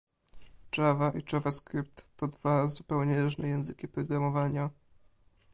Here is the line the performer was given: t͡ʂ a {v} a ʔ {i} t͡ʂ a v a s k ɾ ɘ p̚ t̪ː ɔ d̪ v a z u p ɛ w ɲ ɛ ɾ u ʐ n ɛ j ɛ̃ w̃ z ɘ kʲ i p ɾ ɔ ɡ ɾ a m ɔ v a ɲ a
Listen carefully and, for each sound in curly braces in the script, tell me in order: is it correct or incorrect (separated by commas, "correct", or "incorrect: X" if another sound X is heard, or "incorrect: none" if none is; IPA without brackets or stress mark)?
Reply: correct, correct